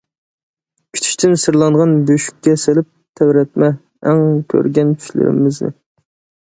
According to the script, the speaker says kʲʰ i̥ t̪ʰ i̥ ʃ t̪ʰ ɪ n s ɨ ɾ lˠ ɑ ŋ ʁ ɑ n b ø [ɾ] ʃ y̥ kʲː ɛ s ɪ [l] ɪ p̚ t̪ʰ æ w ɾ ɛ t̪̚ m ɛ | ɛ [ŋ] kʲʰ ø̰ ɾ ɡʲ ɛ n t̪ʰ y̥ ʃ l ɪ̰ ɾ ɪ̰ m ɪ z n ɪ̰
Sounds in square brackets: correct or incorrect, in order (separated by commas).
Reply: incorrect, correct, correct